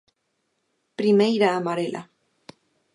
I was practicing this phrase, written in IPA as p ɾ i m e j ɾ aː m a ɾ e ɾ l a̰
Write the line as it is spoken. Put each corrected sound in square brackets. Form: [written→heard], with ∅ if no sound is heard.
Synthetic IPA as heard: p ɾ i m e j ɾ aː m a ɾ e [ɾ→∅] l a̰